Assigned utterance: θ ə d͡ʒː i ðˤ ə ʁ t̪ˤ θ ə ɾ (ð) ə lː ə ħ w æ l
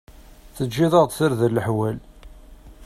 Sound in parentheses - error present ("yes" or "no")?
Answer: no